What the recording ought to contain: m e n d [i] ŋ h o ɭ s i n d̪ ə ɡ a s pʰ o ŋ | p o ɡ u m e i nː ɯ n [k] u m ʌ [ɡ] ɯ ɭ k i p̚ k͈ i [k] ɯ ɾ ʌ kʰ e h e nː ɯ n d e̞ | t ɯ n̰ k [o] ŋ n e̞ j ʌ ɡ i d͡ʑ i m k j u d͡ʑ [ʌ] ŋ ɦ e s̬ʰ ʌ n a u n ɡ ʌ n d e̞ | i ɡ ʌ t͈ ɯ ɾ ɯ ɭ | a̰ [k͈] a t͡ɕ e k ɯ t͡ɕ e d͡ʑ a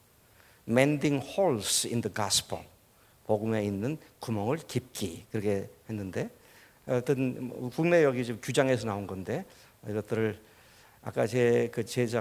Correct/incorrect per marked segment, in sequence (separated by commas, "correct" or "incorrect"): correct, correct, incorrect, correct, incorrect, incorrect, correct